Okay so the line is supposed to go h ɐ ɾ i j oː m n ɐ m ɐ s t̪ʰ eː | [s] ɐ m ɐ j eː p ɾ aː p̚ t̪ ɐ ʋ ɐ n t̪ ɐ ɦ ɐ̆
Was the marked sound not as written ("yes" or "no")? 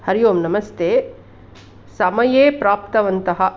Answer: no